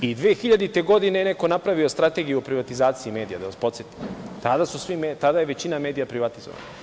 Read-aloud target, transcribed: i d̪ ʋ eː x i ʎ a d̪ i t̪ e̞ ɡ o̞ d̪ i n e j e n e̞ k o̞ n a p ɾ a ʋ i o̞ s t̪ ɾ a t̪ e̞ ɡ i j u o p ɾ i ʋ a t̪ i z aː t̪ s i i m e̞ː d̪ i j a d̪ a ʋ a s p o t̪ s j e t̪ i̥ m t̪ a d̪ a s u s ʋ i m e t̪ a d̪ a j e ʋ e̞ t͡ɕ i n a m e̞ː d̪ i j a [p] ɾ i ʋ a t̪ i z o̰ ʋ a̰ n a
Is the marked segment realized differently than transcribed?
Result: no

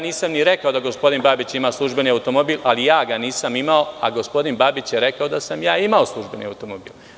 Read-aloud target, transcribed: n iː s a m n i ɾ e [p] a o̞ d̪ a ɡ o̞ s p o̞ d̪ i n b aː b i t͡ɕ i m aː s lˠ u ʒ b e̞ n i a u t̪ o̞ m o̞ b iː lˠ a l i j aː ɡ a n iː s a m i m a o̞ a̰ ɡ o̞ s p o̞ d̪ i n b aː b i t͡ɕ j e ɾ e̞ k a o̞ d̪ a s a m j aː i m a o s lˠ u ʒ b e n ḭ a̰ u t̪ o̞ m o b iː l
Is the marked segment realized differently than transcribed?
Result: yes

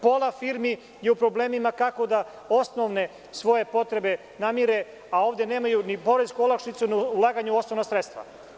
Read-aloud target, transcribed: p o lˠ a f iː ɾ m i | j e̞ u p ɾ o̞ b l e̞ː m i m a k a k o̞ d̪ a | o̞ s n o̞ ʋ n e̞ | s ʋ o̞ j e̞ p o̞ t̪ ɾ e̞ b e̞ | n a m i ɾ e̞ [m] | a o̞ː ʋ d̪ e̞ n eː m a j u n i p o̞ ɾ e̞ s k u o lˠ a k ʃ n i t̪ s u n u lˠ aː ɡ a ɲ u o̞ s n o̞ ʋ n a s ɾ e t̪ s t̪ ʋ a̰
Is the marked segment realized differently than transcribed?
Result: yes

